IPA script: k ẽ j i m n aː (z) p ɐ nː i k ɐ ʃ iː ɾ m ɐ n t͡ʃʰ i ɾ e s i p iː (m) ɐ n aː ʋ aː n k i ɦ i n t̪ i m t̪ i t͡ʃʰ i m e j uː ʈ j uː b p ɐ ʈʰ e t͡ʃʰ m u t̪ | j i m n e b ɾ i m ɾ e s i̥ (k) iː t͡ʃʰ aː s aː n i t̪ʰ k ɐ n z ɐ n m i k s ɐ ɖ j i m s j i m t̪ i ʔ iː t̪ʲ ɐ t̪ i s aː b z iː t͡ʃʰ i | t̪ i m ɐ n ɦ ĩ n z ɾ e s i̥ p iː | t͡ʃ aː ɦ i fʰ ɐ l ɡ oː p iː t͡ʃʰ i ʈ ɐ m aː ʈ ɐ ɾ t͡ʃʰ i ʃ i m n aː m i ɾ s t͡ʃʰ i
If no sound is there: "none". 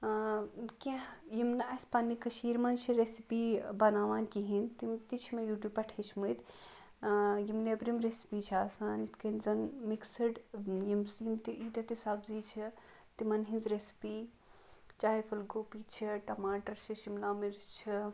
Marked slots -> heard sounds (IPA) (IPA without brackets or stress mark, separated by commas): s, b, p